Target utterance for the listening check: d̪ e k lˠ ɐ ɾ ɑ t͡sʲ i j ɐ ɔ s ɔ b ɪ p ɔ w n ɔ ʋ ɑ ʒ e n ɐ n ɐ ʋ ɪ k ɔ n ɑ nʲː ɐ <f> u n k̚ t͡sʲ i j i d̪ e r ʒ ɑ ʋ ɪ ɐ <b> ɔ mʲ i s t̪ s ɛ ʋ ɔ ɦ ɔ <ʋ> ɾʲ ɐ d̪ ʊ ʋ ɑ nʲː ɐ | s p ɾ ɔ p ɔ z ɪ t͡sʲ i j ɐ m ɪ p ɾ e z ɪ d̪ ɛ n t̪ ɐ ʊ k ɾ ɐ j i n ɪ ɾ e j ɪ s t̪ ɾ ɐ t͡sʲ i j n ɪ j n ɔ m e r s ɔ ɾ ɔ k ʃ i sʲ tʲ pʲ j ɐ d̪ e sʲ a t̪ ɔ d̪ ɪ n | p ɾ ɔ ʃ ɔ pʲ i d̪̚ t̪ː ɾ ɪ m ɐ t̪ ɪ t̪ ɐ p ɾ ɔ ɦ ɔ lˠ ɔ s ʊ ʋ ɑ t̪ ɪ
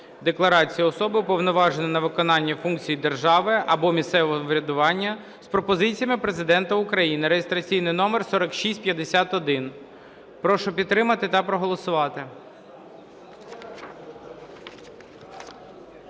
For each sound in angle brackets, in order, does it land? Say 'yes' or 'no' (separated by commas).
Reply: yes, yes, yes